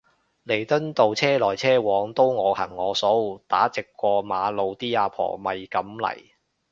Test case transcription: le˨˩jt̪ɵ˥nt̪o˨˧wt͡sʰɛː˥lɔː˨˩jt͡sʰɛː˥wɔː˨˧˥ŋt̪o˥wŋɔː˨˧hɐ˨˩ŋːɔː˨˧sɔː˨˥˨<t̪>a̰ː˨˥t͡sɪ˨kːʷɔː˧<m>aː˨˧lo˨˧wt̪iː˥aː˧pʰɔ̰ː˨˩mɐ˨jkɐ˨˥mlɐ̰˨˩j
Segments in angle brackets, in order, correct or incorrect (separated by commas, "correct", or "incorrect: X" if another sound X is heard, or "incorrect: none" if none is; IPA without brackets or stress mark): correct, correct